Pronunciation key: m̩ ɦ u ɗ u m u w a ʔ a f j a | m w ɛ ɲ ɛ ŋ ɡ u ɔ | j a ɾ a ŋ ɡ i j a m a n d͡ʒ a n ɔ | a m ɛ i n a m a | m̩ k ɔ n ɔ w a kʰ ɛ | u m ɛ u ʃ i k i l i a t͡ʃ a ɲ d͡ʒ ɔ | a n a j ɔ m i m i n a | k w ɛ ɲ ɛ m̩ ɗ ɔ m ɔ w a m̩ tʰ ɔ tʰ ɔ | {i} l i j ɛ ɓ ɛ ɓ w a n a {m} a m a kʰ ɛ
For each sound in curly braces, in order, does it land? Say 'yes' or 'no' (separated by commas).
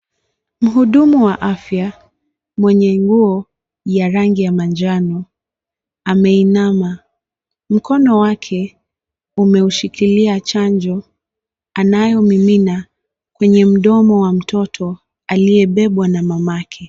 no, yes